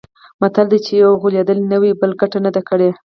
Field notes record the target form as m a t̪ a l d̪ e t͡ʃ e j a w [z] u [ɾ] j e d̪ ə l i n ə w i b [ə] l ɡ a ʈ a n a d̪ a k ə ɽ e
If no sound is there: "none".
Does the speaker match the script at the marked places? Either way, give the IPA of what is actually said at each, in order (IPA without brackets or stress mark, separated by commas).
ɣ, l, ə